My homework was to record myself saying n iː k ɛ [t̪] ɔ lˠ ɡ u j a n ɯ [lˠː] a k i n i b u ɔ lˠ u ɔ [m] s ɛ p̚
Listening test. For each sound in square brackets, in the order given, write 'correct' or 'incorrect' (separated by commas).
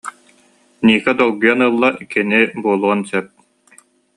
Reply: incorrect, correct, incorrect